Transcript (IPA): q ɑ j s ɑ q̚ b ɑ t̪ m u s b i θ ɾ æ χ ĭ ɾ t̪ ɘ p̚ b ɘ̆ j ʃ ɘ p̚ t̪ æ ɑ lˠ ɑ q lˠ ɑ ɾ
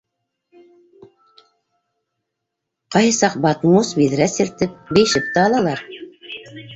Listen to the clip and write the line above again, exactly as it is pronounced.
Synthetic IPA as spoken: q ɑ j s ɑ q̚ b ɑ t̪ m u s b i ð ɾ æ s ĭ ɾ t̪ ɘ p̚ b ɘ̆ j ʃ ɘ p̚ t̪ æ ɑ lˠ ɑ lˠ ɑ ɾ